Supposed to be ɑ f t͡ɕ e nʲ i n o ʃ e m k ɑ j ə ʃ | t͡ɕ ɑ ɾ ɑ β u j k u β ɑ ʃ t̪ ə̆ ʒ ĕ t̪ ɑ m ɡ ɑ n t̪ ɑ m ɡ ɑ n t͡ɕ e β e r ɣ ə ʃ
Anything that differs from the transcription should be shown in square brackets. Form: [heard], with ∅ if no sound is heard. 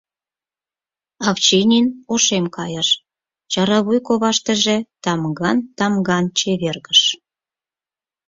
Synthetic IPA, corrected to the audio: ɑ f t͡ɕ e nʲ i n o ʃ e m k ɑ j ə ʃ | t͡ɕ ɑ ɾ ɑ β u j k [o] β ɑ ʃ t̪ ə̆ ʒ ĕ t̪ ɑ m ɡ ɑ n t̪ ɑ m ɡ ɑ n t͡ɕ e β e r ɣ ə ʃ

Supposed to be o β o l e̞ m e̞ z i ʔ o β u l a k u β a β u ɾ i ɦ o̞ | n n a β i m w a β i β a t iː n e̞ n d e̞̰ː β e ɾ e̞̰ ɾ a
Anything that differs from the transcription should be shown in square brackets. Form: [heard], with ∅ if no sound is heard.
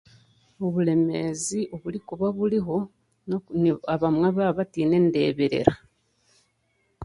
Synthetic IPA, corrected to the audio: o β [u] l e̞ m e̞ z i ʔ o β u l [i] k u β a β u [l] i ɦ o̞ | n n a β [a] m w a β [a] β a t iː n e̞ n d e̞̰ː β e ɾ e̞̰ ɾ a

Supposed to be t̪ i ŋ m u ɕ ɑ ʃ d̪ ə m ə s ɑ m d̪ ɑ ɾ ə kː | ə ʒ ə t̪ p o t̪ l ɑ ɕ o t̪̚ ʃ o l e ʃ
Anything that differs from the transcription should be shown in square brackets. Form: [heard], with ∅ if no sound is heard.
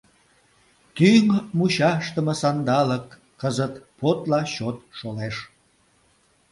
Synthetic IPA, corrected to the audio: t̪ [y] ŋ m u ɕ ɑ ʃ [t̪] ə m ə s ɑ [n] d̪ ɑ [l] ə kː | ə [z] ə t̪ p o t̪ l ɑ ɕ o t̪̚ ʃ o l e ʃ

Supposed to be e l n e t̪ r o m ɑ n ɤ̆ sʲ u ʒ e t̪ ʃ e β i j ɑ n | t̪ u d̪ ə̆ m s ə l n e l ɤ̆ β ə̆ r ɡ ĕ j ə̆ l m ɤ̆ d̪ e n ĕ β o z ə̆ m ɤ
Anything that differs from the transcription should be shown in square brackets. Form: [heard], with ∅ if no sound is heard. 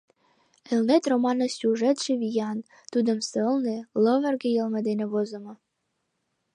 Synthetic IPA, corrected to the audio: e l n e t̪ r o m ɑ n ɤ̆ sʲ u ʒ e t̪ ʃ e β i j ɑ n | t̪ u d̪ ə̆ m s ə l n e l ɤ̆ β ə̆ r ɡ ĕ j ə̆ l m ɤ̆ d̪ e n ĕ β o z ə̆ m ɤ

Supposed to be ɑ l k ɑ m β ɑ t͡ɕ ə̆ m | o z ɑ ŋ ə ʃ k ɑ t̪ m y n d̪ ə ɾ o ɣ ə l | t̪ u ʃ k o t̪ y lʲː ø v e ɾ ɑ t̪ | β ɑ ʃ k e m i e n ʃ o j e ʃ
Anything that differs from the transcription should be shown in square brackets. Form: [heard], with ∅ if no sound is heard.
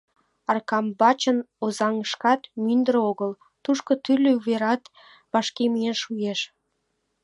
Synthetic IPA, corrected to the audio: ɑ [r] k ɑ m [b] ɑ t͡ɕ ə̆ [n] | o z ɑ ŋ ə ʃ k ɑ t̪ m y n d̪ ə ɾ o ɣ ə l | t̪ u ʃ k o t̪ y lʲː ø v e ɾ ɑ t̪ | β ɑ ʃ k e m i e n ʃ [u] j e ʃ

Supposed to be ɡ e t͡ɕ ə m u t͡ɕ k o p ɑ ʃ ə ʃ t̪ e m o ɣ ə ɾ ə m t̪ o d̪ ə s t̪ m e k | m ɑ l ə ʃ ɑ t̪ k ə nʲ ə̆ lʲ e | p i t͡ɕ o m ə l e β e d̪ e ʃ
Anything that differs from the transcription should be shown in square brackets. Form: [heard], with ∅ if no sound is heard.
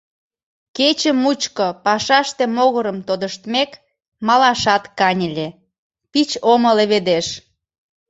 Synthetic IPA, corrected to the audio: [k] e t͡ɕ ə m u t͡ɕ k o p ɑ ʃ [ɑ] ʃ t̪ e m o ɣ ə ɾ ə m t̪ o d̪ ə [ʃ] t̪ m e k | m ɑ l [ɑ] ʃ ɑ t̪ k [ɑ] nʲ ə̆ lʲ e | p i t͡ɕ o m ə l e β e d̪ e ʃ

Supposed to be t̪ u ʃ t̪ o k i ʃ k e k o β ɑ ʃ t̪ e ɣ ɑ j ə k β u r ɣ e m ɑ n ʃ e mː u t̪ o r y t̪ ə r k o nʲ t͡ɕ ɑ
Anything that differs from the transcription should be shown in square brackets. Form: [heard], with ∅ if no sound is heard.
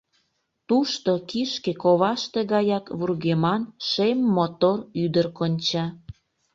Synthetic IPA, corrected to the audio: t̪ u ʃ t̪ o k i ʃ k e k o β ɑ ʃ t̪ e ɣ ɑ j [ɑ] k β u r ɣ e m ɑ n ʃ e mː [o] t̪ o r y [d̪] ə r k o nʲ t͡ɕ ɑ

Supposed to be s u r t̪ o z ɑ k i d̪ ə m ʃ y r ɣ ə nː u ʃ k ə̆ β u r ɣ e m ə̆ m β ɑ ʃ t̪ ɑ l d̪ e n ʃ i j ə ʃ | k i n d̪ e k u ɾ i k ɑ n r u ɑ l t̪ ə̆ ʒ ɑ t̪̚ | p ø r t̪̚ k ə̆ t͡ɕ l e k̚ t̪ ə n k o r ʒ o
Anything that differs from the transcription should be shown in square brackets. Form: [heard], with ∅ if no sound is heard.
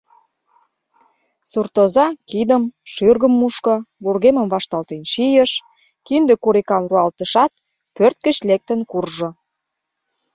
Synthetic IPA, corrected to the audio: s u r t̪ o z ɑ k i d̪ ə m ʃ y r ɣ ə [mː] u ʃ k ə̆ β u r ɣ e m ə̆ m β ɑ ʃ t̪ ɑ l [t̪] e n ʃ i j ə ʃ | k i n d̪ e k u ɾ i k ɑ [m] r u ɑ l t̪ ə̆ [ʃ] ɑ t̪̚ | p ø r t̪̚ k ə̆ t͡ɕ l e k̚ t̪ ə n k [u] r ʒ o

